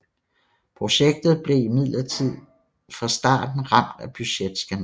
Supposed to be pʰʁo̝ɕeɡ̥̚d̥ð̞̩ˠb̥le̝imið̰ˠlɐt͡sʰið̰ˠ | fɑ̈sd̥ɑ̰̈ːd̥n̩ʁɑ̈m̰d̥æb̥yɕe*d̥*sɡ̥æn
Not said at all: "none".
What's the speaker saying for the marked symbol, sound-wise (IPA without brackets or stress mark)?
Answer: d̥